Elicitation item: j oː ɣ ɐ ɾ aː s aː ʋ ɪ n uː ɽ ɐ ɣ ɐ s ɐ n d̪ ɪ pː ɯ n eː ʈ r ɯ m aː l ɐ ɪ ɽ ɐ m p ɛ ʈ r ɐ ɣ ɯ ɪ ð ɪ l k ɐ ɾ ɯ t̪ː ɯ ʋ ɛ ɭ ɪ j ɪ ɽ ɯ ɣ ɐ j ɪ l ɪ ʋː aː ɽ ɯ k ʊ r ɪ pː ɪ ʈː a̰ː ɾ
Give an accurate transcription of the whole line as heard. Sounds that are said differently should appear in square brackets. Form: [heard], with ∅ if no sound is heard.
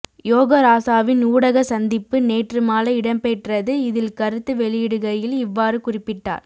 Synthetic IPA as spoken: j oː ɣ ɐ ɾ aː s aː ʋ ɪ n uː ɽ ɐ ɣ ɐ s ɐ n d̪ ɪ pː ɯ n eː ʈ r ɯ m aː l ɐ ɪ ɽ ɐ m p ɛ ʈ r ɐ [ð] ɯ ɪ ð ɪ l k ɐ ɾ ɯ t̪ː ɯ ʋ ɛ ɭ ɪ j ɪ ɽ ɯ ɣ ɐ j ɪ l ɪ ʋː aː [ɾ] ɯ k ʊ r ɪ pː ɪ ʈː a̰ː ɾ